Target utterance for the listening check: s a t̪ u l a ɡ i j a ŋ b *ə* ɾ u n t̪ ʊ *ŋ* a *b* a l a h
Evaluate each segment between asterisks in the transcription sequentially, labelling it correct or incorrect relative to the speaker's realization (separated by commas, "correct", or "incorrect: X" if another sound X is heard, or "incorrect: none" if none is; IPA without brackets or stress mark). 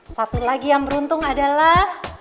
correct, correct, incorrect: d